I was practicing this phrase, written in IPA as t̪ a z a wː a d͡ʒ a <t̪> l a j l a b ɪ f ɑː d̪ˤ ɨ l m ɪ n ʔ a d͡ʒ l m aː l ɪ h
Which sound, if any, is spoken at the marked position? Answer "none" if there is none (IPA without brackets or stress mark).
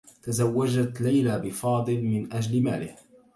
t̪